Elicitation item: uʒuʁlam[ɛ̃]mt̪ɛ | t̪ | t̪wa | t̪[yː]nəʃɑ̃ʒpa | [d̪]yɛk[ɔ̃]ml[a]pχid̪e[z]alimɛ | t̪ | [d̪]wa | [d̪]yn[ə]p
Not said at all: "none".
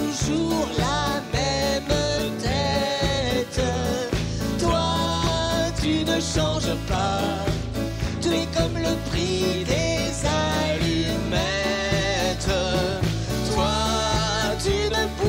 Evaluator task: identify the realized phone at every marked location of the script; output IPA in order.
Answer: ɛ, y, t̪, ɔ, ə, z, t̪, t̪, ə

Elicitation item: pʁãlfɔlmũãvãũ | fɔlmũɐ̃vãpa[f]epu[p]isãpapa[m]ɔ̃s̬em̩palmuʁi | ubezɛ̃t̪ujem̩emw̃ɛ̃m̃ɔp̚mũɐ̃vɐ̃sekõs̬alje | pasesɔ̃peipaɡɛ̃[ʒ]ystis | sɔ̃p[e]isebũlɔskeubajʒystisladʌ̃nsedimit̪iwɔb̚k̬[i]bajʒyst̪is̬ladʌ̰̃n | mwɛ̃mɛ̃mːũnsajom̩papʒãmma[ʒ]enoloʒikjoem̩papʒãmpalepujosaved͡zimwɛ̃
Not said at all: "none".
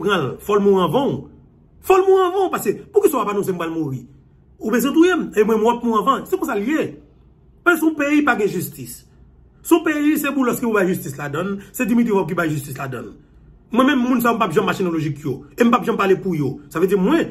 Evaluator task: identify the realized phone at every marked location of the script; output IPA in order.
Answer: s, k, n, ʒ, e, i, ʃ

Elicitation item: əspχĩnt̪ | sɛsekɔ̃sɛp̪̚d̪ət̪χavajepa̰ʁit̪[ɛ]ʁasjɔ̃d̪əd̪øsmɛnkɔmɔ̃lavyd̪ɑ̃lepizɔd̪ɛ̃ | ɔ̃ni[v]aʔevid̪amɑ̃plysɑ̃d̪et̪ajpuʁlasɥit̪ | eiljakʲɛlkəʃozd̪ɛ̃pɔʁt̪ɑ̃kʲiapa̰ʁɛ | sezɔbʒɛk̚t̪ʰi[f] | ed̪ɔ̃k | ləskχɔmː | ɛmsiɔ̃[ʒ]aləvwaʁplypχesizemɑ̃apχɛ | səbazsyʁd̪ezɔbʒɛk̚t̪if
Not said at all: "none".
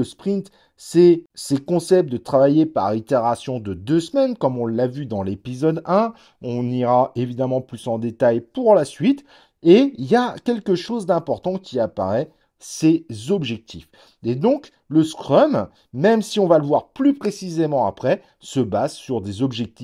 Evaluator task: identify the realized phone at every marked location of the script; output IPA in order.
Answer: e, ʁ, f, v

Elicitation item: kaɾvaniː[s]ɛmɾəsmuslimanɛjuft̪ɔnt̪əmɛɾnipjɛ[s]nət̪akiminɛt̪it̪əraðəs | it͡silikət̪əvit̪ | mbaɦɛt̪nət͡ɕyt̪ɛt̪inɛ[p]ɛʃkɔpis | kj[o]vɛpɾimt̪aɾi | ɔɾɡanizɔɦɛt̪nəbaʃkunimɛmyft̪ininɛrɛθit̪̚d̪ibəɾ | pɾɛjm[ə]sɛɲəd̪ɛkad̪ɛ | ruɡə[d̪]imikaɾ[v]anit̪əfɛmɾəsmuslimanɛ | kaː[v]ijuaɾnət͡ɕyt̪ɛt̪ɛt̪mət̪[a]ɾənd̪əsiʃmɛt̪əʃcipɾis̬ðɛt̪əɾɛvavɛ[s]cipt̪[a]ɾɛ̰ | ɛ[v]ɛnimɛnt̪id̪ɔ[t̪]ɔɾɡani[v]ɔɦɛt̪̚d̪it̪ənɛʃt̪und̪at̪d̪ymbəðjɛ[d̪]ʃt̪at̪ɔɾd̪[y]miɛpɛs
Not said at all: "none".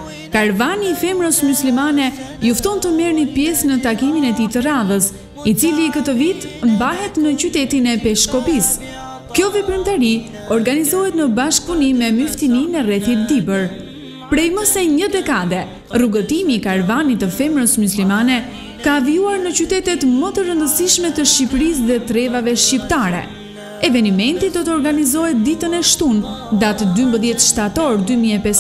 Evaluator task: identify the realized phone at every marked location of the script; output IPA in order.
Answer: f, s, p, ɔ, ə, t̪, v, v, ə, ʃ, a, v, t̪, z, t̪, y

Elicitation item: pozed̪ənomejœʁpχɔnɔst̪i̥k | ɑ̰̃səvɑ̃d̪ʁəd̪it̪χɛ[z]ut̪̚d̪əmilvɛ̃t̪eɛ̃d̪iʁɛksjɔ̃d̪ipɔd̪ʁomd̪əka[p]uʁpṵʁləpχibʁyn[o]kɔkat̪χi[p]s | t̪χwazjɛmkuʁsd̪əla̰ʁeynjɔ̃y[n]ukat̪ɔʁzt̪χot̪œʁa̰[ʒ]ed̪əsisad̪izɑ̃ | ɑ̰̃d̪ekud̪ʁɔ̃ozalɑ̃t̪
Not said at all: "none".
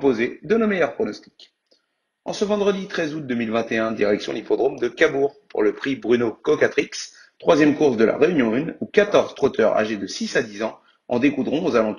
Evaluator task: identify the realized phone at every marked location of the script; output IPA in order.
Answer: z, b, o, k, n, ʒ

